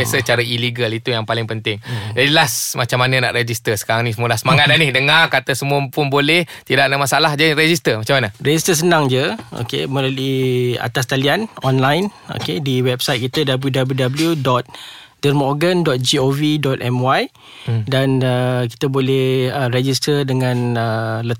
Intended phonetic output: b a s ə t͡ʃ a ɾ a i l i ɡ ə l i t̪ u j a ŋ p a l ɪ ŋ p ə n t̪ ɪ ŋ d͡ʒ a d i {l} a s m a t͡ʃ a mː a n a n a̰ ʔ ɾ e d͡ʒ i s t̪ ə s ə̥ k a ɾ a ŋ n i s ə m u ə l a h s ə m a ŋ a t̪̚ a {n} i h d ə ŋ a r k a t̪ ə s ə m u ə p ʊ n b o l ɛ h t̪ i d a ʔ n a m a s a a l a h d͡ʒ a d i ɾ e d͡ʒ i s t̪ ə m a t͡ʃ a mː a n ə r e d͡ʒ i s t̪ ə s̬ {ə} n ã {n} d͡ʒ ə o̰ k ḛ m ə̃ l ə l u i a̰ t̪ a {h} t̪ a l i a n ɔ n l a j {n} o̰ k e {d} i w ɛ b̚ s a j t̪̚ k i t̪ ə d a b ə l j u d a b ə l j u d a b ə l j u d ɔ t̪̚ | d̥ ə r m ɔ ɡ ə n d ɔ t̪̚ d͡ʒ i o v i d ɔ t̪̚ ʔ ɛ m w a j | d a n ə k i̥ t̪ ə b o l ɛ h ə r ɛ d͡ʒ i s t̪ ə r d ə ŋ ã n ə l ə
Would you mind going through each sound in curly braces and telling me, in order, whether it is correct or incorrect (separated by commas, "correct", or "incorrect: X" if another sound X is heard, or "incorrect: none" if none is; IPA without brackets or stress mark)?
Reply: correct, correct, correct, incorrect: ŋ, incorrect: s, correct, correct